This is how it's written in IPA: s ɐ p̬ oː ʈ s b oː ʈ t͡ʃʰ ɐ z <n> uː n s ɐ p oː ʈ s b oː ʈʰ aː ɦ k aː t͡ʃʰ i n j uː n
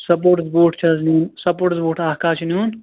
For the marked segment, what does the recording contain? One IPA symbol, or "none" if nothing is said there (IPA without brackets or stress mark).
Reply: n